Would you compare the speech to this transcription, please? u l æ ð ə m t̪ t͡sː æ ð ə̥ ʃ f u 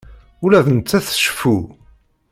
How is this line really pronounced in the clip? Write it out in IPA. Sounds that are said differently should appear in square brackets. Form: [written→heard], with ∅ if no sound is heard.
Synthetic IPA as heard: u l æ ð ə [m→n] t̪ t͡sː æ [ð→θ] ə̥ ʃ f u